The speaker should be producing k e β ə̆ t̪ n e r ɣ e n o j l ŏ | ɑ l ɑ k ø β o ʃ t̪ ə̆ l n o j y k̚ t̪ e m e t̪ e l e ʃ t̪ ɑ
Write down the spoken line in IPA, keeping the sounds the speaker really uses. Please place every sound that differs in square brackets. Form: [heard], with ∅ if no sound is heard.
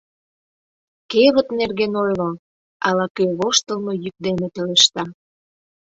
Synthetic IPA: k e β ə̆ t̪ n e r ɣ e n o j l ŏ | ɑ l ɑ k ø β o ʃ t̪ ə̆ l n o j y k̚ [d̪] e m e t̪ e l e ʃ t̪ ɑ